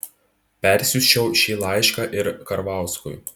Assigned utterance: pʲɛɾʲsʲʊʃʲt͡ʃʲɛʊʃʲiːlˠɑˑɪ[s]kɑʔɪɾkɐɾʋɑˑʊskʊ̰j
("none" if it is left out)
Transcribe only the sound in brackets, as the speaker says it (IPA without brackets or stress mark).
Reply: ʃ